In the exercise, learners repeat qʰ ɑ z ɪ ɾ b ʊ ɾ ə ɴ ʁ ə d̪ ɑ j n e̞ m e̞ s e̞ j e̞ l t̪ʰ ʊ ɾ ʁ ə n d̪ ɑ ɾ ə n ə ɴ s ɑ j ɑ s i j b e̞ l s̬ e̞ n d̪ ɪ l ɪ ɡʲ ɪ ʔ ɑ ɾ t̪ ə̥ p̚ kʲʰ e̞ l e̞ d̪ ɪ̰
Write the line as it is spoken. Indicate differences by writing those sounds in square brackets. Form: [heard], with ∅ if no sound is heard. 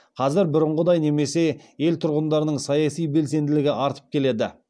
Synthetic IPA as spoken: qʰ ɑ z ɪ ɾ b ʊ ɾ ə ɴ ʁ ə d̪ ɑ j n e̞ m e̞ s e̞ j e̞ l t̪ʰ ʊ ɾ ʁ ə n d̪ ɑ ɾ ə n ə ɴ s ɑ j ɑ s i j b e̞ l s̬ e̞ n d̪ ɪ l ɪ ɡʲ ɪ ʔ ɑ ɾ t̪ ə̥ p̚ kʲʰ e̞ l e̞ d̪ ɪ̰